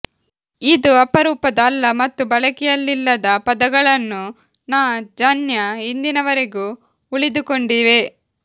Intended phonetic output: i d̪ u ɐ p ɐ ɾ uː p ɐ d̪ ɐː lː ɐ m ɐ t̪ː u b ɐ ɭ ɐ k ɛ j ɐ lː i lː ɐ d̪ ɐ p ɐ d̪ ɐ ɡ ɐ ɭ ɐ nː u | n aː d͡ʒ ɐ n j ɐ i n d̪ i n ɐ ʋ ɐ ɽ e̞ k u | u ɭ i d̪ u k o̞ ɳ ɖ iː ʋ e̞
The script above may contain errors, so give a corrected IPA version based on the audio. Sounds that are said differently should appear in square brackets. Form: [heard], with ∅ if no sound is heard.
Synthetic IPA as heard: i d̪ u ɐ p ɐ ɾ uː p ɐ d̪ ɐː lː ɐ m ɐ t̪ː u b ɐ ɭ ɐ k ɛ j ɐ lː i lː ɐ d̪ ɐ p ɐ d̪ ɐ ɡ ɐ ɭ ɐ nː u | n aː d͡ʒ ɐ n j ɐ i n d̪ i n ɐ ʋ ɐ [ɾ] e̞ [ɡ] u | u ɭ i d̪ u k o̞ ɳ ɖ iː ʋ e̞